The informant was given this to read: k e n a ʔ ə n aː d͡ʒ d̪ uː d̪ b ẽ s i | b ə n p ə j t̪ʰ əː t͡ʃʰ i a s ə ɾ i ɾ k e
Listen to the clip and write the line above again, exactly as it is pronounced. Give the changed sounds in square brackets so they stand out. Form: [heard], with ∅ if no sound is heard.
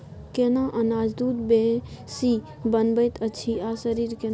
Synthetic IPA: k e n a ʔ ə n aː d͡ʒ d̪ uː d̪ b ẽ s i | b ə n [b] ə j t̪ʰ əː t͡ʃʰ i a s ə ɾ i ɾ k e